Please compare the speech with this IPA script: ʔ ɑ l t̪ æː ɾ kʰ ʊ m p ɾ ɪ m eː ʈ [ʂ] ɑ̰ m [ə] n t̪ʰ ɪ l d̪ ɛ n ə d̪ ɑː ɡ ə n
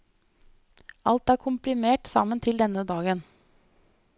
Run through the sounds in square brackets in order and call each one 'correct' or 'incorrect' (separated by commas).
incorrect, correct